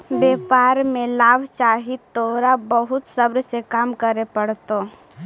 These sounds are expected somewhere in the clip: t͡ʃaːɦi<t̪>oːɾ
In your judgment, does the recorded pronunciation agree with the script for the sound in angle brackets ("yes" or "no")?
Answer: yes